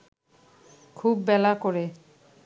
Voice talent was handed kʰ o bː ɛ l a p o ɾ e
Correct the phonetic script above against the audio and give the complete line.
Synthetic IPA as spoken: kʰ u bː ɛ l a k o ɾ e